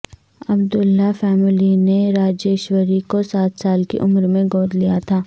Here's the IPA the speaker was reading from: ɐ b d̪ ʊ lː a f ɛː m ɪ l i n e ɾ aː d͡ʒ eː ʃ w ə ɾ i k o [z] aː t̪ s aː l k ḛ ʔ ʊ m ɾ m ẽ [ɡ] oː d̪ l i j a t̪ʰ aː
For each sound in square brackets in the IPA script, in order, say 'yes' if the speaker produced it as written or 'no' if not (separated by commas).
no, yes